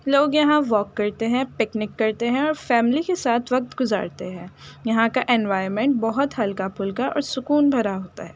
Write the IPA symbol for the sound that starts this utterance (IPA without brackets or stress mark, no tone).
l